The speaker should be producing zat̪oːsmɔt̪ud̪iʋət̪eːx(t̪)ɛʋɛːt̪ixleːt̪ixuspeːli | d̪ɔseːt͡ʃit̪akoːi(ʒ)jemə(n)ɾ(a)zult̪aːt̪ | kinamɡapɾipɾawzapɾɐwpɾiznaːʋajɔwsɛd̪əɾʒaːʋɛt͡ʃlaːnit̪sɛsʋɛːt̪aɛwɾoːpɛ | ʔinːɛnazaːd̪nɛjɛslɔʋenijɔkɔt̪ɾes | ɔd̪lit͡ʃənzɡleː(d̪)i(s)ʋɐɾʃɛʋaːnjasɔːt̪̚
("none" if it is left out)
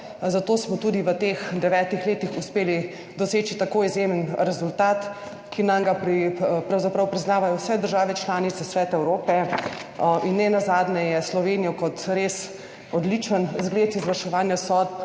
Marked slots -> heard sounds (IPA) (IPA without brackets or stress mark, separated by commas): d̪, z, n, ɛ, t̪, z